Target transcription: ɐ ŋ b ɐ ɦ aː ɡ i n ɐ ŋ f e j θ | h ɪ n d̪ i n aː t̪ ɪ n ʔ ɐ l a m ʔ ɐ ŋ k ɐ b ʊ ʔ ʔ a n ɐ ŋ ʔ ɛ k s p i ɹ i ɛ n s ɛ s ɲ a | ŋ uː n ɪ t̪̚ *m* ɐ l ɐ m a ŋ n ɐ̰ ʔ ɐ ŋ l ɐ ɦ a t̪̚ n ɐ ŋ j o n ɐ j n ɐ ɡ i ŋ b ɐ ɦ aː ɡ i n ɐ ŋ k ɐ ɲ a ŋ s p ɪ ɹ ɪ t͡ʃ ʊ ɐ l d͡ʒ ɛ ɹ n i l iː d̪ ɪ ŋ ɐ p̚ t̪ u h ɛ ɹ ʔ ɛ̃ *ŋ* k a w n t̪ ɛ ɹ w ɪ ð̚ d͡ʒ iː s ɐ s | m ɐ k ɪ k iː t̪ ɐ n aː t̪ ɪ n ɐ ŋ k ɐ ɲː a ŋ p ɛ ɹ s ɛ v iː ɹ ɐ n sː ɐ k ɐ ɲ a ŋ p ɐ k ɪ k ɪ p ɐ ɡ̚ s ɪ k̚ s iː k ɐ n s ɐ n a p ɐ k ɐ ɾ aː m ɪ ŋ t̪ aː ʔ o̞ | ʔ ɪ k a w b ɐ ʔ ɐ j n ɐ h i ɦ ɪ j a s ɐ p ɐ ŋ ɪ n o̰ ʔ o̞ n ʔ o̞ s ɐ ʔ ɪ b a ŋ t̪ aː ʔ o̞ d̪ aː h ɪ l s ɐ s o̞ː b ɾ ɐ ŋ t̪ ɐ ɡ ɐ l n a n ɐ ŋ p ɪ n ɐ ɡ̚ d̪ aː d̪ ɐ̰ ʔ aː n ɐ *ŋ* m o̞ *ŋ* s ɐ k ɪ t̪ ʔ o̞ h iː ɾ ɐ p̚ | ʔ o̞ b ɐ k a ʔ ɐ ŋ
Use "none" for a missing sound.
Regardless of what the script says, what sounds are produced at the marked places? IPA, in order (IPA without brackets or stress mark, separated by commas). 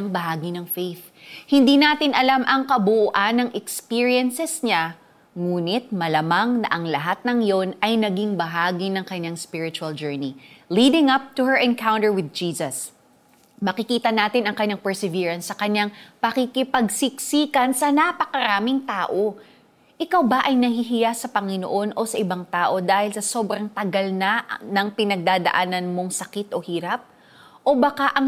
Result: m, n, n, ŋ